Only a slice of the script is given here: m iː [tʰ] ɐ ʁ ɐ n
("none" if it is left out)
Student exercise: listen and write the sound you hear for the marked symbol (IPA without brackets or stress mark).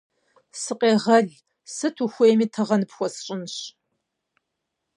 tʰ